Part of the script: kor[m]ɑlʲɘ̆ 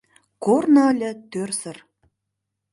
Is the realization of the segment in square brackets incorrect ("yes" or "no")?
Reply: yes